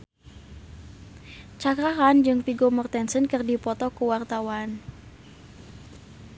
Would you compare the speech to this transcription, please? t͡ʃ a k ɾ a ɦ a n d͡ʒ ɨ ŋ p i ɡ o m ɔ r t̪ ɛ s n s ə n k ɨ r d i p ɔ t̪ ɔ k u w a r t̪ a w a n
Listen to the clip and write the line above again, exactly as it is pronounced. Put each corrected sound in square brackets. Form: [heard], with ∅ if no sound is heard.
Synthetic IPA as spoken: t͡ʃ a k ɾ a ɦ a n d͡ʒ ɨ ŋ p i ɡ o m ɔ r t̪ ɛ [∅] n s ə n k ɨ r d i p ɔ t̪ ɔ k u w a r t̪ a w a n